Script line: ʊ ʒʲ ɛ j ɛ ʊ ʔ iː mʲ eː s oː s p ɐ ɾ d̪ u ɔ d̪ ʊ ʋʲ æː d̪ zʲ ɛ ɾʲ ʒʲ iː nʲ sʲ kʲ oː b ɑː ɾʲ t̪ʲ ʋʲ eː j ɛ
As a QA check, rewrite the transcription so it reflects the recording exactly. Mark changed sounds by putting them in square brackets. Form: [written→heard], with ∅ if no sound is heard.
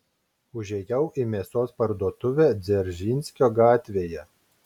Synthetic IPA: ʊ ʒʲ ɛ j ɛ ʊ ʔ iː mʲ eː s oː s p ɐ ɾ d̪ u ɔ [d̪→t̪] ʊ ʋʲ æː d̪ zʲ ɛ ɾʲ ʒʲ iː nʲ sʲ kʲ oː [b→ɡ] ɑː [ɾʲ→∅] t̪ʲ ʋʲ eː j ɛ